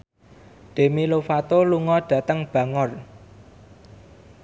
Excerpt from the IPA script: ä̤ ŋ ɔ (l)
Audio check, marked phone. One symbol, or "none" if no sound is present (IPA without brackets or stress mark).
r